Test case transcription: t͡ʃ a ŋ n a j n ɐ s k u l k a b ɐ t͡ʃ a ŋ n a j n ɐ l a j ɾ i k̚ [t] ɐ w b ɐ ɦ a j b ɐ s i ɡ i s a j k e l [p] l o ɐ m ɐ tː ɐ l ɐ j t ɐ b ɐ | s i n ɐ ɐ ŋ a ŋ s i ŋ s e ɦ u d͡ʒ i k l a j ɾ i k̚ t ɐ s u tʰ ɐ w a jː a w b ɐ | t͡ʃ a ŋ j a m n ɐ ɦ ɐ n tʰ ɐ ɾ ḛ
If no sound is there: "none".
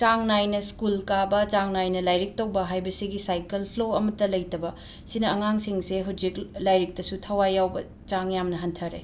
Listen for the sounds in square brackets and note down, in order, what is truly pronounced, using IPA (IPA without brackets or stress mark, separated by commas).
t, pʰ